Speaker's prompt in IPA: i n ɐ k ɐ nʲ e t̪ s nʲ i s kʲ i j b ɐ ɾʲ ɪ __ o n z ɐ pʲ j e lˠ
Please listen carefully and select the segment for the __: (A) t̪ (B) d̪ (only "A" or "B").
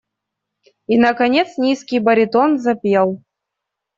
A